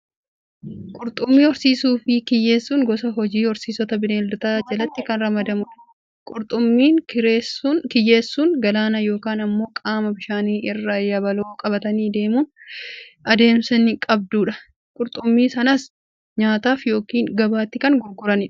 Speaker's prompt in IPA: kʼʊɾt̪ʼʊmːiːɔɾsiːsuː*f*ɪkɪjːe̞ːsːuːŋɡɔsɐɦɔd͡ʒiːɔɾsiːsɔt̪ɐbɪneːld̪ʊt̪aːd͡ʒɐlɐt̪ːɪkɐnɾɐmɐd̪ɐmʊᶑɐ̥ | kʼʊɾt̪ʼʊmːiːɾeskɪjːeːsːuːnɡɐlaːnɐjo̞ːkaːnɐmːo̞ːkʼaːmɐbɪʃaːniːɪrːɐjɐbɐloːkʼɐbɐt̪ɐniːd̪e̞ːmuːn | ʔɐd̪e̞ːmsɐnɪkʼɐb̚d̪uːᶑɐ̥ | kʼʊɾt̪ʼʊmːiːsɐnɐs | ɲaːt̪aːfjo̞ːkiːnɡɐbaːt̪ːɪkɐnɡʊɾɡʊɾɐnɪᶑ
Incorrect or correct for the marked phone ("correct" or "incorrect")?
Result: correct